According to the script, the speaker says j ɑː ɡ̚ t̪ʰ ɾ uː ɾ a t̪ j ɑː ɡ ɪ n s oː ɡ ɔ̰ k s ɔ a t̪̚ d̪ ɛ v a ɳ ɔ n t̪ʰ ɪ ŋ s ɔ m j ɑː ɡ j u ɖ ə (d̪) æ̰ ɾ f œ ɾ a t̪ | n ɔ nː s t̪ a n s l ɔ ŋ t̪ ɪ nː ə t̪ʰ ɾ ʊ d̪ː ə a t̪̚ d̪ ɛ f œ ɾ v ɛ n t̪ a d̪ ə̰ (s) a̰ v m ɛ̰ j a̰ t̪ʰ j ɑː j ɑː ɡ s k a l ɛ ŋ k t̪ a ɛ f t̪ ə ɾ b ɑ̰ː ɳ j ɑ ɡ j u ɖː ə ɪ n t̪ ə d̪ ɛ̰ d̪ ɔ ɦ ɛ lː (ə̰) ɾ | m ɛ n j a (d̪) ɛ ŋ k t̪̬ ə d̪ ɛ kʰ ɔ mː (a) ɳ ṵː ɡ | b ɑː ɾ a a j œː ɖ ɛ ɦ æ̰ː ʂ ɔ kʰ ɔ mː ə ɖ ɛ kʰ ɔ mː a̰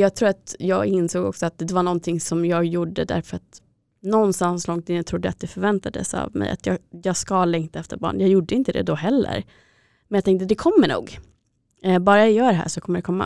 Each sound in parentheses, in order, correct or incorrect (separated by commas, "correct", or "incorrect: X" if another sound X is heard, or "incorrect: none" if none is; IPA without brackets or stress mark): correct, correct, correct, incorrect: t̪, incorrect: ə